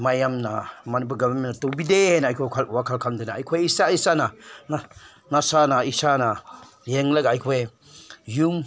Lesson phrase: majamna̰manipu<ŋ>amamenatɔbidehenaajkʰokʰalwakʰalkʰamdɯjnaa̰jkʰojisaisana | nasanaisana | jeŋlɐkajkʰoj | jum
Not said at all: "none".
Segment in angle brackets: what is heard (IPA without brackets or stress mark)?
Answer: ɡ